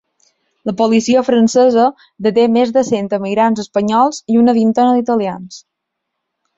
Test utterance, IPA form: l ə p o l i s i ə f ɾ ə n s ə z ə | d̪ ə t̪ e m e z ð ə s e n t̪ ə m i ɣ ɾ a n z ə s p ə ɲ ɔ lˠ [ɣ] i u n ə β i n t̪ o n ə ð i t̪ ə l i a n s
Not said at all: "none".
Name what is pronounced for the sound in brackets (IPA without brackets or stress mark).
z